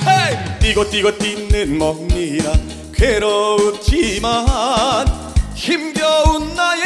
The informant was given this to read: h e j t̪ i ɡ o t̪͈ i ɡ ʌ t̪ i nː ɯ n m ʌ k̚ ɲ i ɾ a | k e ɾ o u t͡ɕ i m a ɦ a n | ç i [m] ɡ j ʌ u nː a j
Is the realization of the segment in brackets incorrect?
no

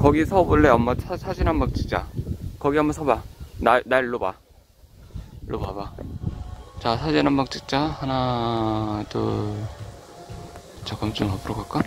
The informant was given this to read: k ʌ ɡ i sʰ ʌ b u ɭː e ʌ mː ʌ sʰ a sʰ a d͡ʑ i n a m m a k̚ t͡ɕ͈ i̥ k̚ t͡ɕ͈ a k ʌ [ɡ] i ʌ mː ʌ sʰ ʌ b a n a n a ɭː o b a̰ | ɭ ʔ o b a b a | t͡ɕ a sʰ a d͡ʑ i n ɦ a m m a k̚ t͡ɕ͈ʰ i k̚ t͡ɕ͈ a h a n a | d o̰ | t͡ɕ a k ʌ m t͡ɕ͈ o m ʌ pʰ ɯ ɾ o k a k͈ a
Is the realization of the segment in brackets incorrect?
no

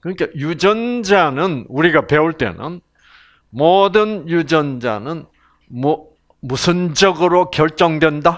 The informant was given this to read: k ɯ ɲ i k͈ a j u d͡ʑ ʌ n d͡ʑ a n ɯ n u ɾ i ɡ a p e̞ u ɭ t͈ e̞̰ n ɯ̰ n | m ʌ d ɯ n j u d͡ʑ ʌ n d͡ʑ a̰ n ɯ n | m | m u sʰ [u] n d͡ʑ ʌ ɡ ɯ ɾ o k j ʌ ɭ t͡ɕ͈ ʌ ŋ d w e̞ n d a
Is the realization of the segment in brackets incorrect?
yes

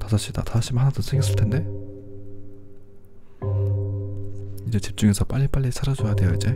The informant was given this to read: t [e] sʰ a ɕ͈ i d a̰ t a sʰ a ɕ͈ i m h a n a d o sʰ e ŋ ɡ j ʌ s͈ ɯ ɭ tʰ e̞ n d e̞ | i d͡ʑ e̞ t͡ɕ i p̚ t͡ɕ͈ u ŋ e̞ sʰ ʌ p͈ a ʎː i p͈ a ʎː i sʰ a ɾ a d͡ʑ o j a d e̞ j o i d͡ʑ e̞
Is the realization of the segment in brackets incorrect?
yes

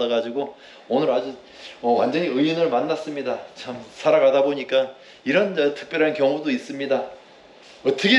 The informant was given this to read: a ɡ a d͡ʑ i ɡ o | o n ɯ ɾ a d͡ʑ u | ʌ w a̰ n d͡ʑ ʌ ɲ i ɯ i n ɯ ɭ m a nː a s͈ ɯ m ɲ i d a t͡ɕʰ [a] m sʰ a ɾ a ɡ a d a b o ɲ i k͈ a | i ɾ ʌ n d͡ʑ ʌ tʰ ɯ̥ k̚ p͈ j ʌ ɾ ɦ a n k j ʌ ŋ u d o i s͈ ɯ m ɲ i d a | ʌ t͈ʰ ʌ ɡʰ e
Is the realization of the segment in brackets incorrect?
no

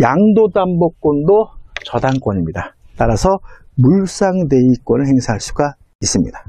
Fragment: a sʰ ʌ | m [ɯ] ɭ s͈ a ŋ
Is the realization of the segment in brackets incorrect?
yes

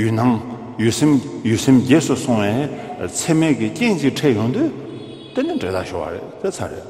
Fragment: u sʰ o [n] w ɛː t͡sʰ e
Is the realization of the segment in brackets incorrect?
yes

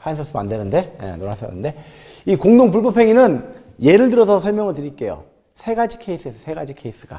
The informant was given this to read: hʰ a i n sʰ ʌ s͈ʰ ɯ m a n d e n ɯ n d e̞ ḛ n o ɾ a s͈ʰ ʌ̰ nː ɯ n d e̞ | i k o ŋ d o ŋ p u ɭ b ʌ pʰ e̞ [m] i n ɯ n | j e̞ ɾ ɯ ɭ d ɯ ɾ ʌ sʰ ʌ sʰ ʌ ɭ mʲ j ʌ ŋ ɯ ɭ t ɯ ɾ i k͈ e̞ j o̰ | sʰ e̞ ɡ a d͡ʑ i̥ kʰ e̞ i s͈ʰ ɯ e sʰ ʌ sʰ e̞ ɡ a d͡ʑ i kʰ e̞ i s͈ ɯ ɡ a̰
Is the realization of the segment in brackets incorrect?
yes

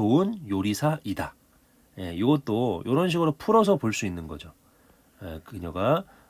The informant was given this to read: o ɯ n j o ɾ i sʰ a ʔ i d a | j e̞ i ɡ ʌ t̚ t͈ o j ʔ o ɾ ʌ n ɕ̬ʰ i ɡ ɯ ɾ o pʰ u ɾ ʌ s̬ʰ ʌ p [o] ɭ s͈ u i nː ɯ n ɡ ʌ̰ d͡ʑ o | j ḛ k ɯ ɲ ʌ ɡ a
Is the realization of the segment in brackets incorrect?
no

